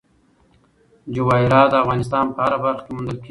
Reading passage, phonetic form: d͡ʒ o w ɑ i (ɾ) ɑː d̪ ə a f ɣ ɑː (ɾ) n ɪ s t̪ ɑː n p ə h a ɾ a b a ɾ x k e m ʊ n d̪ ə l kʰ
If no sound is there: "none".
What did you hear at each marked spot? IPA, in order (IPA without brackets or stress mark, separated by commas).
ɾ, none